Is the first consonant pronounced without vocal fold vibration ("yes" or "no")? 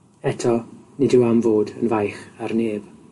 yes